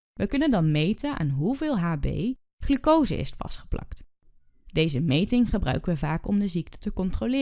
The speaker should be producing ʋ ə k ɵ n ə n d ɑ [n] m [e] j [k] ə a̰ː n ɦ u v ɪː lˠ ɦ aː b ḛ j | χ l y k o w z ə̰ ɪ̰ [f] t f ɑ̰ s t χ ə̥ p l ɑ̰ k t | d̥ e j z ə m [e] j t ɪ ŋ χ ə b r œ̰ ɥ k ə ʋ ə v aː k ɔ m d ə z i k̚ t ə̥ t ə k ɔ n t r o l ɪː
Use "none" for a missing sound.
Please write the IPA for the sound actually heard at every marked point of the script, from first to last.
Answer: n, e, t, s, e

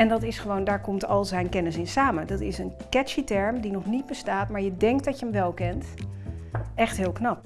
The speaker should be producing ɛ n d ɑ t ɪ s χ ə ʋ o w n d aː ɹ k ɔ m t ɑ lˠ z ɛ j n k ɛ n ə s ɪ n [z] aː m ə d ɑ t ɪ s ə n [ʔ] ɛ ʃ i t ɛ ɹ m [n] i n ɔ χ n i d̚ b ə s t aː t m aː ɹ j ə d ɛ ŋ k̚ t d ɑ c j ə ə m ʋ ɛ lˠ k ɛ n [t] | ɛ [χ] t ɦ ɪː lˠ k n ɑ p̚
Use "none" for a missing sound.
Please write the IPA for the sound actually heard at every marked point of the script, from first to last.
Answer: s, k, d, t, χ

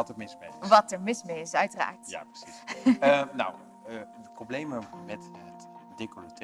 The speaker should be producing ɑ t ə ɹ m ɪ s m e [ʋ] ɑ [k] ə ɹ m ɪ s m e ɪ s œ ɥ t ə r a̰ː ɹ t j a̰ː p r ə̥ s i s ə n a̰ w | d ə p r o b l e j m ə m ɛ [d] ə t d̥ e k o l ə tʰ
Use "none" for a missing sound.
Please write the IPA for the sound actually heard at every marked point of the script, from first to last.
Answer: ʋ, t, t

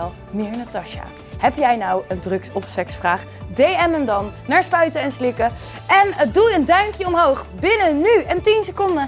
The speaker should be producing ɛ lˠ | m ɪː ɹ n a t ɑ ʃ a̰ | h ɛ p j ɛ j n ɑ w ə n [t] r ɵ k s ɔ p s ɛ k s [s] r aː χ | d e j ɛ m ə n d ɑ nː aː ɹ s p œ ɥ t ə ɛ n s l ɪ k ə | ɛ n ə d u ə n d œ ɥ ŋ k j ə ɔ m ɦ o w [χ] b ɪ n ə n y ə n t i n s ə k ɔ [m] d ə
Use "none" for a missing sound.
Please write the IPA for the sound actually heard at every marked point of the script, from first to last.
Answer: d, f, χ, n

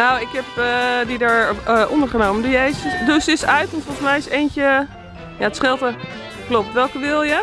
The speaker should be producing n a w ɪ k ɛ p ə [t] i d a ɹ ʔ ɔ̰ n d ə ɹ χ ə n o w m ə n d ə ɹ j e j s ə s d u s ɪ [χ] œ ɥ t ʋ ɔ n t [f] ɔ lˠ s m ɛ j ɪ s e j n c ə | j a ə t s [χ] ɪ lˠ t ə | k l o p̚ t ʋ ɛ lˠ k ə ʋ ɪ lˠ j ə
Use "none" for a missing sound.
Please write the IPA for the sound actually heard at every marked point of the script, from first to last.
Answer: d, s, f, χ

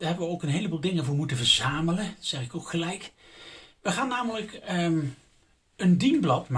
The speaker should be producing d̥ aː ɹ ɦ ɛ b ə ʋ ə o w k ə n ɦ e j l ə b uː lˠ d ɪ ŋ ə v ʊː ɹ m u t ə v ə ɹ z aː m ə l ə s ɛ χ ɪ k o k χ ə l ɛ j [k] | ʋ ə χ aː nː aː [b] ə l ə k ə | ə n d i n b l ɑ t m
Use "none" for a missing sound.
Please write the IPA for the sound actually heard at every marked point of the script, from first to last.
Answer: k, m

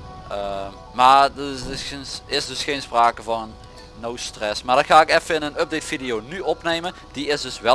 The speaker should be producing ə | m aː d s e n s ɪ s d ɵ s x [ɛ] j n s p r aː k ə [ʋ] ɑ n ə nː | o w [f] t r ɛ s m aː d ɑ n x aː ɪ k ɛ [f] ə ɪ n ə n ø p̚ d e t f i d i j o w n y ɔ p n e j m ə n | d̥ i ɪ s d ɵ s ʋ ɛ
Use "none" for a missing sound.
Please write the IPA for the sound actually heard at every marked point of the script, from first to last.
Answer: e, v, s, f

